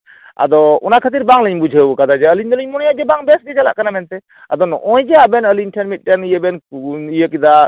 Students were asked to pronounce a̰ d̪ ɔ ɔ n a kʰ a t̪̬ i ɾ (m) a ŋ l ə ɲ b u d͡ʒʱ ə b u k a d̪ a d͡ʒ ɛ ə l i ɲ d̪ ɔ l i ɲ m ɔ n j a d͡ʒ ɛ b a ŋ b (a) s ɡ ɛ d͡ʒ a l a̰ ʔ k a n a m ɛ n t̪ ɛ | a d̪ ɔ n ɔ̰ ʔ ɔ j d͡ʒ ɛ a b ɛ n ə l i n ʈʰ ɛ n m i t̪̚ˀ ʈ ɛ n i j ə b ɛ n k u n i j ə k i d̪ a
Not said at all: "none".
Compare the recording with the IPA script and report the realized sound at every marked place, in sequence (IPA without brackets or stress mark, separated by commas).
b, ɛ